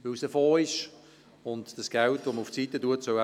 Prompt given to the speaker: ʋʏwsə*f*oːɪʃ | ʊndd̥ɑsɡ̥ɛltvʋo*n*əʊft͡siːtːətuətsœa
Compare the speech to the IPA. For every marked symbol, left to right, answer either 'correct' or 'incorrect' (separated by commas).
correct, incorrect